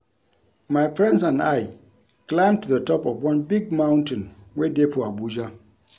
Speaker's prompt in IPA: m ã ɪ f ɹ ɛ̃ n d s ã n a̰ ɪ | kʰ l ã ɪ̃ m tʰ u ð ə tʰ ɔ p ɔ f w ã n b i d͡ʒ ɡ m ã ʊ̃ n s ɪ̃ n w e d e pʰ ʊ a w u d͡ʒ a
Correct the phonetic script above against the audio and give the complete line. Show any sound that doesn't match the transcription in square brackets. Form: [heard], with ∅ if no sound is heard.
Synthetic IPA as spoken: m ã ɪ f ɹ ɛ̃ n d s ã n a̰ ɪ | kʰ l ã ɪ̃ m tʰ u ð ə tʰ ɔ p ɔ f w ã n b i [∅] ɡ m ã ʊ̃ n [t] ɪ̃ n w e d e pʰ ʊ a [b] u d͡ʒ a